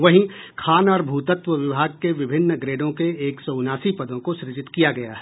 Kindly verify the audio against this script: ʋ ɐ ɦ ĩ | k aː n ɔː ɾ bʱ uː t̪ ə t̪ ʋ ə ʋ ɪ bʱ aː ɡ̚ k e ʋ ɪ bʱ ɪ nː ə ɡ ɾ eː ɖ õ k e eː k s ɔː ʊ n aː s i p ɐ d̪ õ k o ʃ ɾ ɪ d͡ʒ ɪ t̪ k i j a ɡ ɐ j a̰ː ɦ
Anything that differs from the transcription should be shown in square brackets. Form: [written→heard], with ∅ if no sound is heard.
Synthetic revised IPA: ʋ ɐ ɦ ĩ | [k→kʰ] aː n ɔː ɾ bʱ uː t̪ ə t̪ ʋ ə ʋ ɪ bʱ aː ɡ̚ k e ʋ ɪ bʱ ɪ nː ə ɡ ɾ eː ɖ õ k e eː k s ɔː ʊ n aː s i p ɐ d̪ õ k o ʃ ɾ ɪ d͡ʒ ɪ t̪ k i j a ɡ ɐ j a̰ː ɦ